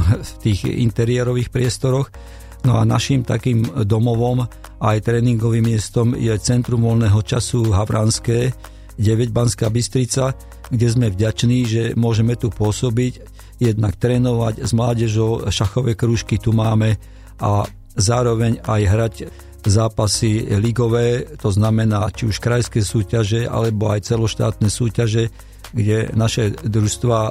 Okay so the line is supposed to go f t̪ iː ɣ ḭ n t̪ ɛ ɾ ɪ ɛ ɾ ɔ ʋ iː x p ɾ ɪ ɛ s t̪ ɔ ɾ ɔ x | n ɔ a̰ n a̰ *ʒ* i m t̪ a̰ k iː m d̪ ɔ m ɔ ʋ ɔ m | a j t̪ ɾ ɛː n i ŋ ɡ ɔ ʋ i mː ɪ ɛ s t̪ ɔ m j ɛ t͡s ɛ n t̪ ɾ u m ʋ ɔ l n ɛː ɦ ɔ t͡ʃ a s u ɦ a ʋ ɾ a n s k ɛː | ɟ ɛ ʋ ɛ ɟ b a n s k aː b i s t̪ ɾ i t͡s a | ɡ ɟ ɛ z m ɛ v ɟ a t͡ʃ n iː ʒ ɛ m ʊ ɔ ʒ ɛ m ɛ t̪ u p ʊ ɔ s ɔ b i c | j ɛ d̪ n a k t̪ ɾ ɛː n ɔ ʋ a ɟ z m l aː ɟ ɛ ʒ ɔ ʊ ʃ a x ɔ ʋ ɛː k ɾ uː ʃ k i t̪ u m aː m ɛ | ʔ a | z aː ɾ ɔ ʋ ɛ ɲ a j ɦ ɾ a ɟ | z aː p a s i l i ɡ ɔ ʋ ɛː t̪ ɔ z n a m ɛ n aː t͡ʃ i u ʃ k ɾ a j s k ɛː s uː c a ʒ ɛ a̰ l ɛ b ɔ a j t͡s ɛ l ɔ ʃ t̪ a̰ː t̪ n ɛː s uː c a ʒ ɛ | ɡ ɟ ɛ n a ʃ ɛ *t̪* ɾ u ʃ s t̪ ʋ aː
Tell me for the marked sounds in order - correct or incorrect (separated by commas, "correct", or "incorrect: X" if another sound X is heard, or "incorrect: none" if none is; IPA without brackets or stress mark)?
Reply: incorrect: ʃ, incorrect: d̪